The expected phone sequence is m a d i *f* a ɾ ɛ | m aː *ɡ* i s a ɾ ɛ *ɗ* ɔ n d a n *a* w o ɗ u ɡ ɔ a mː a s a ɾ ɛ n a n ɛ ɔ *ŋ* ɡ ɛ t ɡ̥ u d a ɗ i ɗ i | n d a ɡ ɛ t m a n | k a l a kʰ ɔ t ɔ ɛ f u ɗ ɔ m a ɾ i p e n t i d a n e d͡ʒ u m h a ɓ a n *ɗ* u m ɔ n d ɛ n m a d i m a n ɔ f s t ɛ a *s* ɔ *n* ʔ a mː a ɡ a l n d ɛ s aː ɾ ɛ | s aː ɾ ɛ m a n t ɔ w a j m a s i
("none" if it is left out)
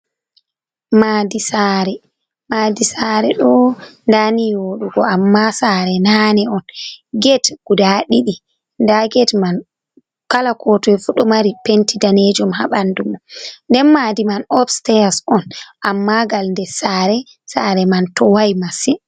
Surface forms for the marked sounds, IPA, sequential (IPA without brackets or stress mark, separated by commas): s, d, ɗ, i, n, d, s, n